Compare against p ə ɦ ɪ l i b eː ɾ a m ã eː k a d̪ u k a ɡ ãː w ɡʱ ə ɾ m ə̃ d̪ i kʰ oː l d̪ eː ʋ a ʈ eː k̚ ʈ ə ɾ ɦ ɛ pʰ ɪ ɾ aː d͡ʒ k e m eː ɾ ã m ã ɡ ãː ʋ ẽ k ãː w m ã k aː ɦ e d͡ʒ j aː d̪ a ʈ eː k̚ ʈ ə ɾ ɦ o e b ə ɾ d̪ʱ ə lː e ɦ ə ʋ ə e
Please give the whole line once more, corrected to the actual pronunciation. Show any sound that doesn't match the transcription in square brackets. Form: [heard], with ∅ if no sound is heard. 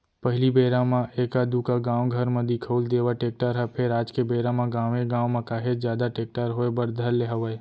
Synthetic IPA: p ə ɦ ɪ l i b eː ɾ a m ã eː k a d̪ u k a ɡ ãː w ɡʱ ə ɾ m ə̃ d̪ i kʰ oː l d̪ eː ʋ a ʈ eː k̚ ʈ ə ɾ ɦ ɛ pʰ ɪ ɾ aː d͡ʒ k e [b] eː ɾ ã m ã ɡ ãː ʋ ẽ [ɡ] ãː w m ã k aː ɦ e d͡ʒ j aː d̪ a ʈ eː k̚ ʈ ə ɾ ɦ o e b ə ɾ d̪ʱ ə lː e ɦ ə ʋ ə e